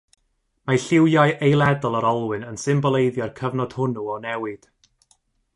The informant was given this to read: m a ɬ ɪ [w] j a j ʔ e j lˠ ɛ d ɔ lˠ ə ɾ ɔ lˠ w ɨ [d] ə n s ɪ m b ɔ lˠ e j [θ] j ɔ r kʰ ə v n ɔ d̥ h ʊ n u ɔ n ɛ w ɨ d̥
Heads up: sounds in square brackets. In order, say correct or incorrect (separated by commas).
correct, incorrect, incorrect